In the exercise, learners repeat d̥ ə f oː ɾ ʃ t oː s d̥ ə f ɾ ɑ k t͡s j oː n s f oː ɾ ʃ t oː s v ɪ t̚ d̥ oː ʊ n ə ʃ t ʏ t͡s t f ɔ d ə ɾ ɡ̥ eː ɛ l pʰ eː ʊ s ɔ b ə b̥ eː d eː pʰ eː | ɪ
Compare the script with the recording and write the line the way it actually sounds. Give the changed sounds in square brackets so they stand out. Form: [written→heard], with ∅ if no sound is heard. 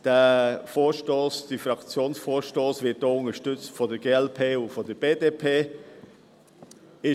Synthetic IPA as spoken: d̥ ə f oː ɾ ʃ t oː s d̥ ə f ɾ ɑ k t͡s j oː n s f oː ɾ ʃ t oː s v ɪ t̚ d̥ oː ʊ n ə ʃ t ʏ t͡s t f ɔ d ə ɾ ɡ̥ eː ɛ l pʰ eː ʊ [s→f] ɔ [b→d] ə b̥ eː d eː pʰ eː | ɪ

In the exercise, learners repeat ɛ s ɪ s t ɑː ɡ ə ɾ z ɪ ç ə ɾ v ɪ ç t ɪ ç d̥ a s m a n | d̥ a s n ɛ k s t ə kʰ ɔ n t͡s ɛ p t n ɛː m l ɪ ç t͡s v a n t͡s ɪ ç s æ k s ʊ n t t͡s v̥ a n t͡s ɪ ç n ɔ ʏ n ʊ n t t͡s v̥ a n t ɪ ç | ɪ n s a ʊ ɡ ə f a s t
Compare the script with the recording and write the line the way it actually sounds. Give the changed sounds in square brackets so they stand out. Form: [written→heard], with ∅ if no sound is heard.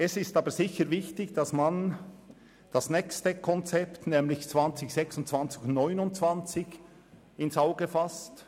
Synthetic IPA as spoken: ɛ s ɪ s t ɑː [ɡ→b] ə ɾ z ɪ ç ə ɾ v ɪ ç t ɪ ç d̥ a s m a n | d̥ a s n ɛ k s t ə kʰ ɔ n t͡s ɛ p t n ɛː m l ɪ ç t͡s v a n t͡s ɪ ç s [æ→ɛ] k s ʊ n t t͡s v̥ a n t͡s ɪ ç n ɔ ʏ n ʊ n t t͡s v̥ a n [t→t͡s] ɪ ç | ɪ n s a ʊ ɡ ə f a s t

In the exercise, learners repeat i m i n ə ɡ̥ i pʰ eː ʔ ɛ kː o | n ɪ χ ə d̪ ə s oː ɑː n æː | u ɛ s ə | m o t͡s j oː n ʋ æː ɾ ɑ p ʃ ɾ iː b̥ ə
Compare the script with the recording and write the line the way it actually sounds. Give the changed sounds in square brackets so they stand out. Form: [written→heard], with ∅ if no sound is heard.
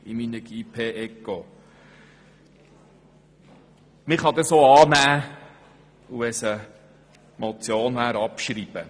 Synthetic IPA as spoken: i m i n ə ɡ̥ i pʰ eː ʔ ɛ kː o | [n→m] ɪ χ [ə→ɑ] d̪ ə s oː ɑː n æː | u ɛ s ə | m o t͡s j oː n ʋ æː ɾ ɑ p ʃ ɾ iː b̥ ə

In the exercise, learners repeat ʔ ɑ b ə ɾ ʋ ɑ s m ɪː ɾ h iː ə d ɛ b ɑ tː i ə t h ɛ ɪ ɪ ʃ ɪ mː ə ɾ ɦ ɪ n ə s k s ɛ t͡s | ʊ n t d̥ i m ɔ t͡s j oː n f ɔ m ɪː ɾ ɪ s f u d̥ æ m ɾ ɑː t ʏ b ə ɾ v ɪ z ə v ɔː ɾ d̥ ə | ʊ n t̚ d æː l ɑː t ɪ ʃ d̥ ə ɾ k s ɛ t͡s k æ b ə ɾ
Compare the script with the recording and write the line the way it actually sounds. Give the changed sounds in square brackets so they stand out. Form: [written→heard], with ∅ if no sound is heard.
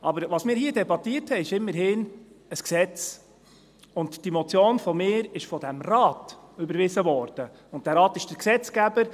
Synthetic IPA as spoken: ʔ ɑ b ə ɾ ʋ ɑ s m ɪː ɾ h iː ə d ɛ b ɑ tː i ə t h ɛ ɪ ɪ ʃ ɪ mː ə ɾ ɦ ɪ n ə s k s ɛ t͡s | ʊ n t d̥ i m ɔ t͡s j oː n f ɔ m ɪː ɾ ɪ [s→ʃ] f [u→ɔ] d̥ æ m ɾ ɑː t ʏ b ə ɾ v ɪ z ə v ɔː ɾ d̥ ə | ʊ n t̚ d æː [l→ɾ] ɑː t ɪ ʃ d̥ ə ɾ k s ɛ t͡s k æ b ə ɾ

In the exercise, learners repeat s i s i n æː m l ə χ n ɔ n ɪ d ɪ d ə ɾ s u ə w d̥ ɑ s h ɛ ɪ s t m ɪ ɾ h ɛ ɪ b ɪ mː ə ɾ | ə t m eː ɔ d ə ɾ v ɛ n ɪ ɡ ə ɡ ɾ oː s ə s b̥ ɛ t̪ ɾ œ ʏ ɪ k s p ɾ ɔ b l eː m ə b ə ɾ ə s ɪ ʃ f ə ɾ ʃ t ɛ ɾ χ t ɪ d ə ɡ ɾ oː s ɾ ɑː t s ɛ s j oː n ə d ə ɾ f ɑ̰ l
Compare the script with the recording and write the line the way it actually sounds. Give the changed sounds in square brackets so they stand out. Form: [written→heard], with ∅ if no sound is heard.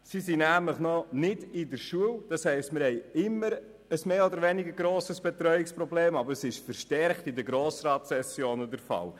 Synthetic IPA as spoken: s i s i n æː m l ə χ n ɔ n ɪ d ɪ d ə ɾ [s→ʃ] u ə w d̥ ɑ s h ɛ ɪ s t m ɪ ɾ h ɛ ɪ [b→∅] ɪ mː ə ɾ | ə [t→s] m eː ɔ d ə ɾ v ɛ n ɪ ɡ ə ɡ ɾ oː s ə s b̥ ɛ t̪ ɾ œ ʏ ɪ k s p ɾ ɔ b l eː m [ə→ɑ] b ə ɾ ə s ɪ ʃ f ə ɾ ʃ t ɛ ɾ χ t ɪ d ə ɡ ɾ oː s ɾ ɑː t s ɛ s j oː n ə d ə ɾ f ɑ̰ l

